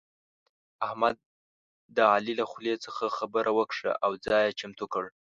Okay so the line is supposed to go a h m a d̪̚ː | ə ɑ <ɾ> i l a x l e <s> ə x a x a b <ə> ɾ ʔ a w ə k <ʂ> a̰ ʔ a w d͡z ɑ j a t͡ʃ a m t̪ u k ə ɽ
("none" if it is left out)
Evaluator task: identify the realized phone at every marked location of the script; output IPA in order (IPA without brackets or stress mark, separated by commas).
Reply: l, t͡s, ə, ʂ